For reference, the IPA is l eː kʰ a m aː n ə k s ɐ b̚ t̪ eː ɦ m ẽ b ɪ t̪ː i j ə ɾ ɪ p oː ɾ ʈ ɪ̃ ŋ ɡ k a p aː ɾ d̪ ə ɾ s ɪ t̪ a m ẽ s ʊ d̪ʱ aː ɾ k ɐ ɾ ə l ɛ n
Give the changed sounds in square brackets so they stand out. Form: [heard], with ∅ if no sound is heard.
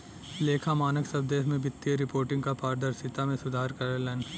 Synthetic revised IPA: l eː kʰ a m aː n ə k s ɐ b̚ [d̪] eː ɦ m ẽ b ɪ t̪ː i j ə ɾ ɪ p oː ɾ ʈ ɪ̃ ŋ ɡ k a p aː ɾ d̪ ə ɾ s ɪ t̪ a m ẽ s ʊ d̪ʱ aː ɾ k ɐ ɾ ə l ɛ n